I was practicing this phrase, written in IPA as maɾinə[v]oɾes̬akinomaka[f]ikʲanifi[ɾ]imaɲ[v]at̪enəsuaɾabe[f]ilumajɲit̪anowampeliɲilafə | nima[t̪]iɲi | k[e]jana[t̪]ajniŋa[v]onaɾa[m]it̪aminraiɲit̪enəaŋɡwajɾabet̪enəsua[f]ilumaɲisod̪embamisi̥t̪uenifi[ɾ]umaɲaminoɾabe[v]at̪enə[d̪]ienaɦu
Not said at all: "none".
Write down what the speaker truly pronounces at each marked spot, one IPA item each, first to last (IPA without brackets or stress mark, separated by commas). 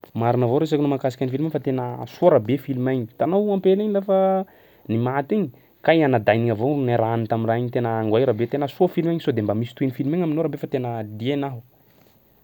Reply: v, s, l, f, f, t̪, a, d̪, v, n, f, l, f, d̪